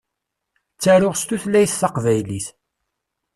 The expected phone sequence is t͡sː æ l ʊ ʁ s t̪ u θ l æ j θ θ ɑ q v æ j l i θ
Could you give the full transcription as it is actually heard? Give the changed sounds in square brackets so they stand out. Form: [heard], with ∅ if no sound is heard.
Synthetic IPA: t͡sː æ [ɾ] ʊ ʁ s t̪ u θ l æ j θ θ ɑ q v æ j l i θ